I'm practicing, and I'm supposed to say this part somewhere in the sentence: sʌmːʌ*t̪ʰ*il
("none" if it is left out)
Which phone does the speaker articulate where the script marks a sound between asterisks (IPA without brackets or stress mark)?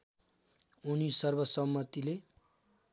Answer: t̪